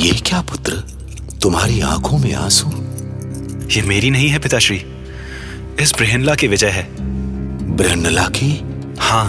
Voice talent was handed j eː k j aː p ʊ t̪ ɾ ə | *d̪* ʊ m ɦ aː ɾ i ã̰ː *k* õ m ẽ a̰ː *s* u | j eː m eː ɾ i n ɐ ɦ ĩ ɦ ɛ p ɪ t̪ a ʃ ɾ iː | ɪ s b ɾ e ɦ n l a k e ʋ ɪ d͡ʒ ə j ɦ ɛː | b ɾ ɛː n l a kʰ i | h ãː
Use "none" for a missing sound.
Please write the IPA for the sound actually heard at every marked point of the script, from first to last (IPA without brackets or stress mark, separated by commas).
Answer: t̪, kʰ, s